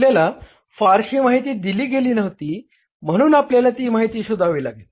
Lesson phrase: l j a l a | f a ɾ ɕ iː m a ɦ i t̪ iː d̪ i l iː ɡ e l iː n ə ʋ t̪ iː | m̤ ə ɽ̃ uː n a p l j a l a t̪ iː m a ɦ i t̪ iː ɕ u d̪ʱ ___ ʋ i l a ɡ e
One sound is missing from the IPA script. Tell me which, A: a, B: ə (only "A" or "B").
A